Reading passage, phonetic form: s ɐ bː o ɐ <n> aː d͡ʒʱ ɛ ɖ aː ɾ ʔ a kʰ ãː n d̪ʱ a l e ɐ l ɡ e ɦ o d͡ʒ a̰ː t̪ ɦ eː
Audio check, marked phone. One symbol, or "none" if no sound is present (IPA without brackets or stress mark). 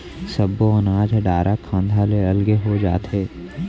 n